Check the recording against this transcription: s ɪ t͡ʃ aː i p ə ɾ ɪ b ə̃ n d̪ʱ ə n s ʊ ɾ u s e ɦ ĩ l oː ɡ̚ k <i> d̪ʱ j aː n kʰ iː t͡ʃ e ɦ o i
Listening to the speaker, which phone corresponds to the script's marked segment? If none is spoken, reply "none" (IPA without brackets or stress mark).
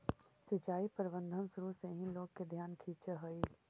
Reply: e